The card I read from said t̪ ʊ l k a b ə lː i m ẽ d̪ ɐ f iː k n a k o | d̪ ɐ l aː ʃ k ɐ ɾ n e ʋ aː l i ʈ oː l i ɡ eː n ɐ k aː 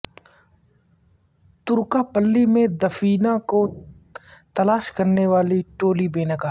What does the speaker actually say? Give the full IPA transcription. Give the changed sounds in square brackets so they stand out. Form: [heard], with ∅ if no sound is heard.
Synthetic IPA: t̪ ʊ [ɾ] k a [p] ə lː i m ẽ d̪ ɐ f iː [∅] n a k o | [t̪] ɐ l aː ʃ k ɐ ɾ n e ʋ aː l i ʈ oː l i [b] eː n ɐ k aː